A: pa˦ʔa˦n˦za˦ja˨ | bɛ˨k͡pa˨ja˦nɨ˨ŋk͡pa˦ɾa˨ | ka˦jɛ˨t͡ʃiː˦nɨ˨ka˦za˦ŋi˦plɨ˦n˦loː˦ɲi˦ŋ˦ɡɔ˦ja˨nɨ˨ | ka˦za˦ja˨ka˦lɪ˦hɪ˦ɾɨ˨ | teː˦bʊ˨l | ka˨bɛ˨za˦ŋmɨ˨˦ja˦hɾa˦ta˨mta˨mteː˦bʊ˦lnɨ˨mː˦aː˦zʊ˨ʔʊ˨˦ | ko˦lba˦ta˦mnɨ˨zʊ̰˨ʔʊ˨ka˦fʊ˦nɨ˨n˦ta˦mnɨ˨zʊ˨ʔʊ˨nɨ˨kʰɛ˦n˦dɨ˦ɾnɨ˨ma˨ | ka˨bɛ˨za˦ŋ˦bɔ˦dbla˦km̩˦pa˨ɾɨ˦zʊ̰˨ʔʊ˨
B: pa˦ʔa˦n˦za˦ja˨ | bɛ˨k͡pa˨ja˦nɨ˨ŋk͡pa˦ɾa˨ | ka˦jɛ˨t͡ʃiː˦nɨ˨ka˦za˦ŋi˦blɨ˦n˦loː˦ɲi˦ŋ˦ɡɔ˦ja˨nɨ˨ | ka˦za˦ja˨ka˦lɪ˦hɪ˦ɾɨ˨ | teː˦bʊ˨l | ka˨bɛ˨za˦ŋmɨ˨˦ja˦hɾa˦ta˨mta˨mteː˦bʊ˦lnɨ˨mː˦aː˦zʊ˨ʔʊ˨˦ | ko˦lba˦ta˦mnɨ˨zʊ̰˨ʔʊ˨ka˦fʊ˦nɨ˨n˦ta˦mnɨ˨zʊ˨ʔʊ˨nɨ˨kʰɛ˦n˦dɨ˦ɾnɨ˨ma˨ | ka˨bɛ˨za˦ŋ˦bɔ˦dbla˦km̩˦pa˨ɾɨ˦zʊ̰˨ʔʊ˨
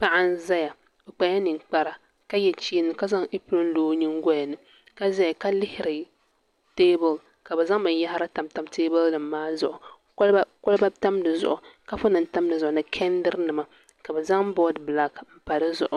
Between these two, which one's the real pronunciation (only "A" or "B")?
A